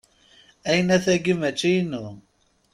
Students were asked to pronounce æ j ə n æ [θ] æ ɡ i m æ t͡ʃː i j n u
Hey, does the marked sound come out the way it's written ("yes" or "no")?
yes